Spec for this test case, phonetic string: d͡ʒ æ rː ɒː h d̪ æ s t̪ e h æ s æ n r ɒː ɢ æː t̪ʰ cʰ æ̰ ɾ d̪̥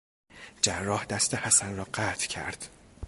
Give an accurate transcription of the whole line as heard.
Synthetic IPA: d͡ʒ æ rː ɒː h d̪ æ s t̪ e h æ s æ n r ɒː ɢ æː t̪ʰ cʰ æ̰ ɾ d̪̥